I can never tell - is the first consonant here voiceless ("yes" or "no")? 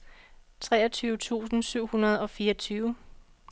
yes